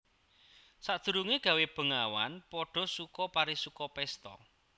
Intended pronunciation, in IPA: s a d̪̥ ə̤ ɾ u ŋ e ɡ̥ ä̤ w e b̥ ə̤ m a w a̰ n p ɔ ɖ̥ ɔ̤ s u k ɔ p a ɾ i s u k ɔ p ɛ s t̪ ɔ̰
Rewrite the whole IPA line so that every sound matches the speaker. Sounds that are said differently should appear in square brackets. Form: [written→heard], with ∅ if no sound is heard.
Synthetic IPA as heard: s a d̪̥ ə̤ ɾ u ŋ e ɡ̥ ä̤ w e b̥ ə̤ [m→ŋ] a w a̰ n p ɔ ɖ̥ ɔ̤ s u k ɔ p a ɾ i s u k ɔ p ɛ s t̪ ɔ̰